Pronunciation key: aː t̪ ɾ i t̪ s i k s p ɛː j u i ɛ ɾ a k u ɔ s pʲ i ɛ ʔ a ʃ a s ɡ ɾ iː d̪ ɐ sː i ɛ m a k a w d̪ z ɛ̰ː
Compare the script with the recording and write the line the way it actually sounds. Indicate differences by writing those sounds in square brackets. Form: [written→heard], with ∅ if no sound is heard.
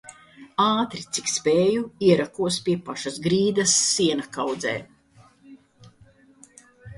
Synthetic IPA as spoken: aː t̪ ɾ i t̪ s i k s p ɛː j u i ɛ ɾ a k u ɔ s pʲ i ɛ [ʔ→p] a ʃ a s ɡ ɾ iː d̪ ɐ sː i ɛ [m→n] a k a w d̪ z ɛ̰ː